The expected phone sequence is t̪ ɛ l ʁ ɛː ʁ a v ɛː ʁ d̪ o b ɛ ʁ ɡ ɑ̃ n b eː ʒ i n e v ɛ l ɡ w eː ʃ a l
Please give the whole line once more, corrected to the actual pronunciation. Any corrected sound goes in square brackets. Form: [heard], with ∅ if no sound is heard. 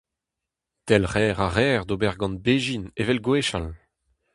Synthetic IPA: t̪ ɛ l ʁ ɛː ʁ a [ʁ] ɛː ʁ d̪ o b ɛ ʁ ɡ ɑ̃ n b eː ʒ i n e v ɛ l ɡ w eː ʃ a l